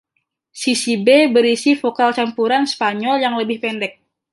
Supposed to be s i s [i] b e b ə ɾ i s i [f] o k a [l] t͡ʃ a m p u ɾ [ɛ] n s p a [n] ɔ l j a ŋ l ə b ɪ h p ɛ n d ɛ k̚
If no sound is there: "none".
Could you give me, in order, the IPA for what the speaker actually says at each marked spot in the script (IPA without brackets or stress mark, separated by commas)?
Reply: i, f, l, a, ɲ